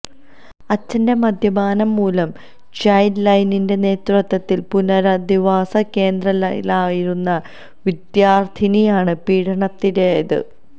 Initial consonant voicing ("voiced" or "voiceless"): voiceless